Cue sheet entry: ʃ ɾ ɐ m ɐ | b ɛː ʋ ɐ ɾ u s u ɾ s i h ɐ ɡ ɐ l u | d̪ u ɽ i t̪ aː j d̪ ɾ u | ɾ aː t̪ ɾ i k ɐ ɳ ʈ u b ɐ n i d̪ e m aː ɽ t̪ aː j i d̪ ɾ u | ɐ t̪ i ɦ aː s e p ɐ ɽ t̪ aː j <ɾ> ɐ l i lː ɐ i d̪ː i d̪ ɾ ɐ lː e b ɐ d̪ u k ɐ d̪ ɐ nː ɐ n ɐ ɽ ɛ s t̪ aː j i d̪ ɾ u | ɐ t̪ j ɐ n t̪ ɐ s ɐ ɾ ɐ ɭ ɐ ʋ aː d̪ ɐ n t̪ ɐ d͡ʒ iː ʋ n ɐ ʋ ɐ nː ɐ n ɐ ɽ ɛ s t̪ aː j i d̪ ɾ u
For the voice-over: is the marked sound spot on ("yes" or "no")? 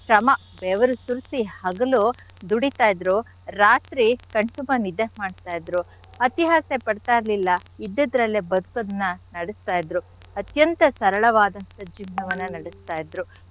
yes